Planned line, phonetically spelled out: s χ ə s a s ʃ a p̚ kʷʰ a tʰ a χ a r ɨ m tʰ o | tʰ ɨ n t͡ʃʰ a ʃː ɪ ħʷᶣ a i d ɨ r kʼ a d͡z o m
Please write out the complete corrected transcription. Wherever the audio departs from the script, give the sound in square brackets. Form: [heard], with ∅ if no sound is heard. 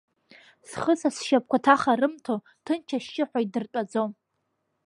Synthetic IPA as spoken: s χ ə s a s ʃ a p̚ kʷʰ a tʰ a χ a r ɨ m tʰ o | tʰ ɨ n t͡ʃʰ a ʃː ɪ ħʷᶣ a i d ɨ r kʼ a d͡z o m